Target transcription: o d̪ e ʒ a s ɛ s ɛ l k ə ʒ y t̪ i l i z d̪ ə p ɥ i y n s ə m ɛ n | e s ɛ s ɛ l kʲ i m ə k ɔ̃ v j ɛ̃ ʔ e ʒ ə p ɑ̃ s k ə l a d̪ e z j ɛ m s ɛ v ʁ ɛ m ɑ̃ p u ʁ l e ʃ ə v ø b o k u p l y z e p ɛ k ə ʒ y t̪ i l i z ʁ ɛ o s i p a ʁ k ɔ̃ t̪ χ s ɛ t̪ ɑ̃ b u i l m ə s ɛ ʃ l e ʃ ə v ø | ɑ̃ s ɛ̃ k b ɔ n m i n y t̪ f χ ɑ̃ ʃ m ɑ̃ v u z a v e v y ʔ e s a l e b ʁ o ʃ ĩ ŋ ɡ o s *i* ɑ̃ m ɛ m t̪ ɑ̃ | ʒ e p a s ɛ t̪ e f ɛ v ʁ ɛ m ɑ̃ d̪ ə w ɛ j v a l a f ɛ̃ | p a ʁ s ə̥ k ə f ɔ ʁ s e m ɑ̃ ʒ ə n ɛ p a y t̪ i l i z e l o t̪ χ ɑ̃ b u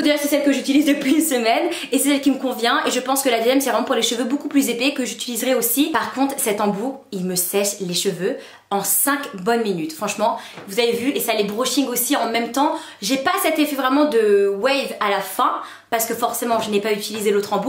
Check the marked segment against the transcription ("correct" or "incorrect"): correct